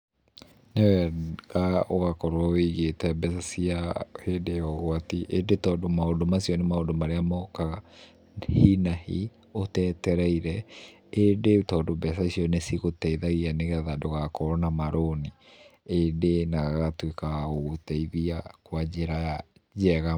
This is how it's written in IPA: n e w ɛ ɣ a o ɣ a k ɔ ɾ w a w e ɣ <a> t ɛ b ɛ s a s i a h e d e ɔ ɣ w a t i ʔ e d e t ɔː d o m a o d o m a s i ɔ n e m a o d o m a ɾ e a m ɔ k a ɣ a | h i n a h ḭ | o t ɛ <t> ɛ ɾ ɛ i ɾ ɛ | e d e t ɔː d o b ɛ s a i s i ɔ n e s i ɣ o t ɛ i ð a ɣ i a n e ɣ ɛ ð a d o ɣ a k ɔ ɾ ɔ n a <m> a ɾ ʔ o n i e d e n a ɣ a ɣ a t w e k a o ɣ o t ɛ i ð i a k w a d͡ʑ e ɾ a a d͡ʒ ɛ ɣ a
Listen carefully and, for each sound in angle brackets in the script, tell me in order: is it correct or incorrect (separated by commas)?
incorrect, correct, correct